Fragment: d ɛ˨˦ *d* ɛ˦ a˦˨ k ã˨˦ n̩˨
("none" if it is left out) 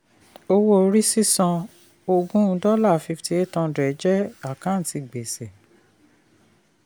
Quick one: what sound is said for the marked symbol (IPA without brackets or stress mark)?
d͡ʒ